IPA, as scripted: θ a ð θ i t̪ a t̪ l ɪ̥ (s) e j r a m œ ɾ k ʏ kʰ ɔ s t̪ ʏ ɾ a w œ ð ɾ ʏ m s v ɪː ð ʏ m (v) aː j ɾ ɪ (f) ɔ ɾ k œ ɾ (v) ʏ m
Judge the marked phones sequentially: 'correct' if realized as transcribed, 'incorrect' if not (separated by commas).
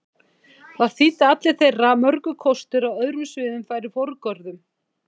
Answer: incorrect, incorrect, correct, incorrect